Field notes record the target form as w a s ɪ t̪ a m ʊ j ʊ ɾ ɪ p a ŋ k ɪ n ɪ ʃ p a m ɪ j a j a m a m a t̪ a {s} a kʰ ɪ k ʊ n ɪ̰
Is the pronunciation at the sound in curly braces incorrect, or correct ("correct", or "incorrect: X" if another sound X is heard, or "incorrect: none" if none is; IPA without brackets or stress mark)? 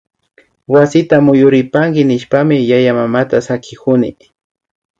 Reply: correct